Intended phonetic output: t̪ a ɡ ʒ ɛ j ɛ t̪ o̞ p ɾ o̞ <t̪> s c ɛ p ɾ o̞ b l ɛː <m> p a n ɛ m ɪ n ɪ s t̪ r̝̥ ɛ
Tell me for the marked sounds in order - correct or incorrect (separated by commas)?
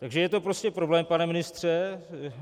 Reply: incorrect, correct